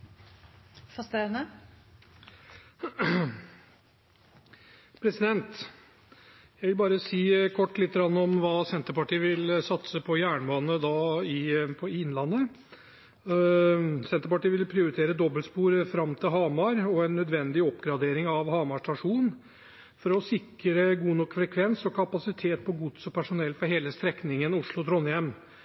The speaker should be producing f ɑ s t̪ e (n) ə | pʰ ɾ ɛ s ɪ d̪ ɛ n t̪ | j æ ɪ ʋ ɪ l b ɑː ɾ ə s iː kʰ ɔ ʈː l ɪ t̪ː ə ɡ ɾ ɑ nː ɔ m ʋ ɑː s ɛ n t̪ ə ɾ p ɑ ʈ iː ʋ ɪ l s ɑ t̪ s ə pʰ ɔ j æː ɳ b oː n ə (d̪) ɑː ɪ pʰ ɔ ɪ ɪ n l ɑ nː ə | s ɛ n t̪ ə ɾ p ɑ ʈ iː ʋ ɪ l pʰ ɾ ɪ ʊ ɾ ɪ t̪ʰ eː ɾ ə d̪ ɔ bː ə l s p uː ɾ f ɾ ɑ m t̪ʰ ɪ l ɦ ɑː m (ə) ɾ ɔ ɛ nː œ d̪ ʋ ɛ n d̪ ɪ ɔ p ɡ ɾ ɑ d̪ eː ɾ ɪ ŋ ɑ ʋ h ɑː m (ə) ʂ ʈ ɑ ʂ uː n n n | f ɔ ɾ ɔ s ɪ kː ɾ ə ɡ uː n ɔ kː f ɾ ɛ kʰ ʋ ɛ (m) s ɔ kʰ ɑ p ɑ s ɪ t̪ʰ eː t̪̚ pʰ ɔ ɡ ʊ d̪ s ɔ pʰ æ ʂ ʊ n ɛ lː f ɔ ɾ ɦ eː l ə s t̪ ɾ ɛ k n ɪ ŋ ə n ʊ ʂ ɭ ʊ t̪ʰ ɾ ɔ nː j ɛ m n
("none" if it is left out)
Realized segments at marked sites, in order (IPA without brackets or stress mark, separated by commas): n, d̪, ɑ, ɑ, n